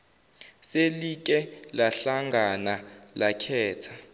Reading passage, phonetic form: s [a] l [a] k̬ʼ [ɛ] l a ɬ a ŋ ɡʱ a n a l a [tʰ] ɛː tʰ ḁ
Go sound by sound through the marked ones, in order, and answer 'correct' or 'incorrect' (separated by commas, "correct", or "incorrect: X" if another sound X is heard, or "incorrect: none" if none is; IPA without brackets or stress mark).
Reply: incorrect: e, incorrect: i, correct, incorrect: kʰ